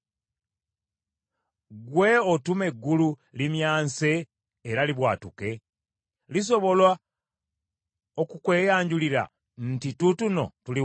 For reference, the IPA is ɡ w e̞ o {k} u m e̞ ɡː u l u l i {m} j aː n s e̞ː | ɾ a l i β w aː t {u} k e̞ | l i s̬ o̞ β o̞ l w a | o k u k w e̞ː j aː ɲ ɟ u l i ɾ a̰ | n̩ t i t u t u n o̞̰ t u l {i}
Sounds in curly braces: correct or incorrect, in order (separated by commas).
incorrect, correct, correct, correct